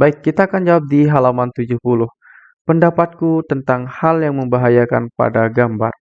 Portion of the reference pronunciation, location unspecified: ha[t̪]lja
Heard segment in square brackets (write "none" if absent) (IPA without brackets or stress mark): none